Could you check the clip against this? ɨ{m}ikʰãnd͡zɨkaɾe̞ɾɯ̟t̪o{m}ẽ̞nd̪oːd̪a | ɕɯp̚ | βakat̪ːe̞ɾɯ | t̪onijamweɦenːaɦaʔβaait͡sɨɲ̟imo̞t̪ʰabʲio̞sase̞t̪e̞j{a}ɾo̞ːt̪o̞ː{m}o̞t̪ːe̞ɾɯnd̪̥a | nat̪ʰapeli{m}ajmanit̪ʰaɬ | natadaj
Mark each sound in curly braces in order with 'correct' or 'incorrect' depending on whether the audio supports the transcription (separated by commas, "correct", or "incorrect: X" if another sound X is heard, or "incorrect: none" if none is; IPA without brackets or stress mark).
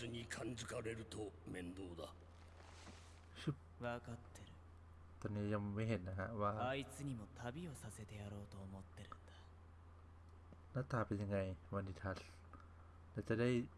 incorrect: ɲ, correct, correct, correct, incorrect: ŋ